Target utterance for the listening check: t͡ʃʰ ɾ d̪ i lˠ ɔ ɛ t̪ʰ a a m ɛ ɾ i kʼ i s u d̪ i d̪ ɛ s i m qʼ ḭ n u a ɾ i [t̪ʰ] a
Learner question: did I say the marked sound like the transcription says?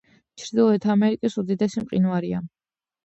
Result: no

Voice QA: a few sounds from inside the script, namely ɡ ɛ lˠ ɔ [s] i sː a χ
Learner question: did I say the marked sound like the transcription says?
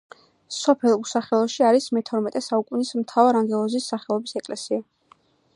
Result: no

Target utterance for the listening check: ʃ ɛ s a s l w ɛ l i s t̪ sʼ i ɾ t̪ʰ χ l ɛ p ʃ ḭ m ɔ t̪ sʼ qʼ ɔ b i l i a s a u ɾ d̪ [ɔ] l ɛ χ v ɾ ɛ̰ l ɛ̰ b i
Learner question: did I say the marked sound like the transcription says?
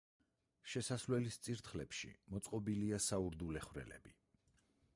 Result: no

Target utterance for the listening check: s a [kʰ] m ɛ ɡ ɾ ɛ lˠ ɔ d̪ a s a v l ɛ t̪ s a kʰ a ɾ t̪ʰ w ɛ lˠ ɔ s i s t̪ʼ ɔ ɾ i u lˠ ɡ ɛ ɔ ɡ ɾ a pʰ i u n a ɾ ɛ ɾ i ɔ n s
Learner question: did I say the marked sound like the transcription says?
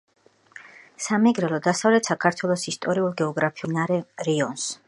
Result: no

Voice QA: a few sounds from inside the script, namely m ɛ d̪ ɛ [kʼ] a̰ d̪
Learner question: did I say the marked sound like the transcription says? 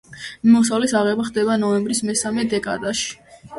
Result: yes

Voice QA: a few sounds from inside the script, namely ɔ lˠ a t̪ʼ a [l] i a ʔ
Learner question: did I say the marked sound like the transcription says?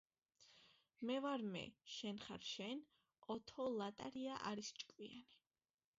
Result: no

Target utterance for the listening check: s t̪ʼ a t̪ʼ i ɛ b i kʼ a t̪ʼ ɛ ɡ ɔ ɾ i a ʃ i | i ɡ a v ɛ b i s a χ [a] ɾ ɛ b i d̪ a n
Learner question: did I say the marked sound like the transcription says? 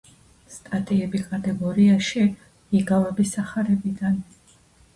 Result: yes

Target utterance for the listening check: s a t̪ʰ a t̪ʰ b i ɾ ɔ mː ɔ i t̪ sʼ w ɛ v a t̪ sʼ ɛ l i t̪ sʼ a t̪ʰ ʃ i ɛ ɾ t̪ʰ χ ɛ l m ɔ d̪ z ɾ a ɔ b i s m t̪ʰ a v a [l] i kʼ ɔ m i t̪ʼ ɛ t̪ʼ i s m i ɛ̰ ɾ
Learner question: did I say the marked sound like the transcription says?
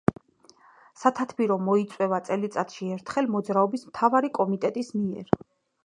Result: no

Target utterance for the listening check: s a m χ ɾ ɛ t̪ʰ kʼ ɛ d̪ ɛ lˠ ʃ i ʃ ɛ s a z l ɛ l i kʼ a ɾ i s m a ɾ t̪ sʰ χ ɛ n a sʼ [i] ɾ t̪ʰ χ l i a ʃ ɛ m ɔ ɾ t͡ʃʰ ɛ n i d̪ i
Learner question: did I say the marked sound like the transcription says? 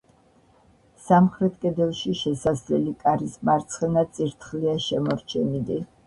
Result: yes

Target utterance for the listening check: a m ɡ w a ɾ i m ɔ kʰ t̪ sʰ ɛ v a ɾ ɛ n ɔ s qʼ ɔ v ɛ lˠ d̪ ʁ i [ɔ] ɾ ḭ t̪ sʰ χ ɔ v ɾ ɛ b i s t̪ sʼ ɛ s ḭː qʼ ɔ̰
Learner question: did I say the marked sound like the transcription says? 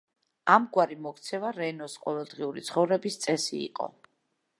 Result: no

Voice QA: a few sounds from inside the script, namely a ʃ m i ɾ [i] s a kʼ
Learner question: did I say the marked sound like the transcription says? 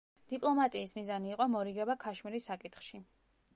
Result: yes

